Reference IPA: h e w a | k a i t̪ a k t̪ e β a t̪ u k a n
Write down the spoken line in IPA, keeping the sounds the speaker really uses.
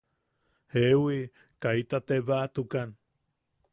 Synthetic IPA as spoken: h e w i | k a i t̪ a t̪ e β a t̪ u k a n